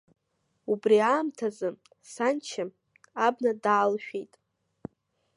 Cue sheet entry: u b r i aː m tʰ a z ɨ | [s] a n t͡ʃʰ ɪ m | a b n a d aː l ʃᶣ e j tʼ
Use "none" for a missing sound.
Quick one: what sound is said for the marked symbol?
s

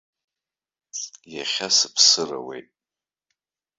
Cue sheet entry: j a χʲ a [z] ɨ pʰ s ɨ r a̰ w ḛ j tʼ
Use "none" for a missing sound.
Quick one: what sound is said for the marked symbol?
s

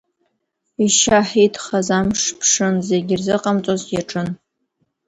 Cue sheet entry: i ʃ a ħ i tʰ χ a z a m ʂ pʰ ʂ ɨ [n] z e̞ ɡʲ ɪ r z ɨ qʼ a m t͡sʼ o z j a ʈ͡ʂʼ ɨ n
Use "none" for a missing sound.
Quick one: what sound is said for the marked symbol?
n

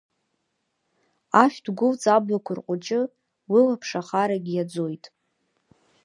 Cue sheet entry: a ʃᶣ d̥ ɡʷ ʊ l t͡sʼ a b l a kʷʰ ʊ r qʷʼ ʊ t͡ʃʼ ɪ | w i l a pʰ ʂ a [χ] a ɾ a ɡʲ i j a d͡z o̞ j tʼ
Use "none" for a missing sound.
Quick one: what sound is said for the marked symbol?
χ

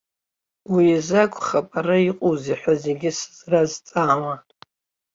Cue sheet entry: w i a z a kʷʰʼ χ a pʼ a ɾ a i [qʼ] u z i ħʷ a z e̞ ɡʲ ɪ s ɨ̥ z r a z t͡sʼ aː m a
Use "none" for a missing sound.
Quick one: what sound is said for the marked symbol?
qʼ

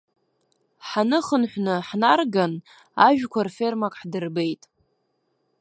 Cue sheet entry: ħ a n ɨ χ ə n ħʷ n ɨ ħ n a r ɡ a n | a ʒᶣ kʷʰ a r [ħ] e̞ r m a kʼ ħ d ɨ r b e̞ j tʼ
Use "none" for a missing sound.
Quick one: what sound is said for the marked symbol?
f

